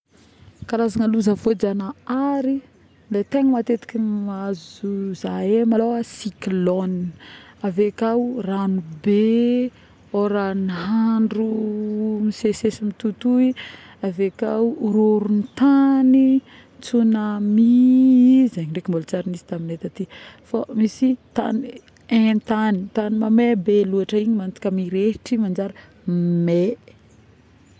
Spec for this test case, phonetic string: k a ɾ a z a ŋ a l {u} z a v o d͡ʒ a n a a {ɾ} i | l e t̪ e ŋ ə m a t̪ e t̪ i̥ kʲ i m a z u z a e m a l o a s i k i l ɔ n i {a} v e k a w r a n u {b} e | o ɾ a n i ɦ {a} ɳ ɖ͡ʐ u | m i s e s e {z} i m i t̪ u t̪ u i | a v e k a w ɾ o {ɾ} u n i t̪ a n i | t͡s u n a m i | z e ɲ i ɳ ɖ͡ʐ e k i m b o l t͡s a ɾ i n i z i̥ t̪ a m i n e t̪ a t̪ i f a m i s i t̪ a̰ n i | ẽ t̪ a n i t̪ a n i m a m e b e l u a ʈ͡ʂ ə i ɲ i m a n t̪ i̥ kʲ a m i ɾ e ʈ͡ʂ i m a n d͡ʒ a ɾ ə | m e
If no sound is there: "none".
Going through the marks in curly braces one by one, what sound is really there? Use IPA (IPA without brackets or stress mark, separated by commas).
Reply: u, ɾ, a, b, a, s, ɾ